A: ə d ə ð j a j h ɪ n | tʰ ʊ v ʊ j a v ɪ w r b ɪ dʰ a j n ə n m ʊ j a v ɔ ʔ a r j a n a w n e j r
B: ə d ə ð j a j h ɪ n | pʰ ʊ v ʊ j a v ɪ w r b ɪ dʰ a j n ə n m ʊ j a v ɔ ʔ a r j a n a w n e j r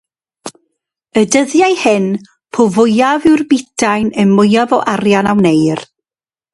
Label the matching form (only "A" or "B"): B